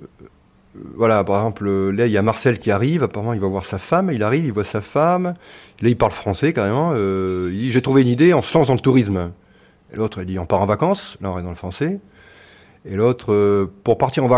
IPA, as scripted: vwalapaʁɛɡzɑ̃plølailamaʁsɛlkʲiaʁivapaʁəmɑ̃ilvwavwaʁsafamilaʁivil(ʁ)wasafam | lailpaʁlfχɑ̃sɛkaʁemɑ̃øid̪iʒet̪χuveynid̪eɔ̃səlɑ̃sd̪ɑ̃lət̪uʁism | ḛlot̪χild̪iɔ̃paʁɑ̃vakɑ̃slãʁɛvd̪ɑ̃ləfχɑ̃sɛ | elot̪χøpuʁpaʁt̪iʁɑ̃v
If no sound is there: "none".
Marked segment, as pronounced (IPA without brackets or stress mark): v